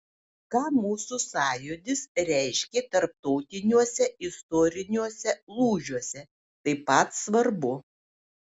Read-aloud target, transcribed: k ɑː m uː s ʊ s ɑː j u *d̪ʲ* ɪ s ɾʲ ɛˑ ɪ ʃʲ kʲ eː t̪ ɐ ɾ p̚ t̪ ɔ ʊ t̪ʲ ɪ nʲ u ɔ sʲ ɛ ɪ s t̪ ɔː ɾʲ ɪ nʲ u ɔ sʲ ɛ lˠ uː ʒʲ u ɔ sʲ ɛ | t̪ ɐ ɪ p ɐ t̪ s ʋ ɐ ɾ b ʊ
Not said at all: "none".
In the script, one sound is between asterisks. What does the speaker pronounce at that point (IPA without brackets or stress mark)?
d̪ʲ